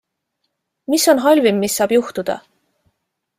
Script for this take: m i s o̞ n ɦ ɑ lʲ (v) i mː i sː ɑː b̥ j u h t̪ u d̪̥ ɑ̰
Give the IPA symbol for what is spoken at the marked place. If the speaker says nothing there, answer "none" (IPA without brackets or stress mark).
v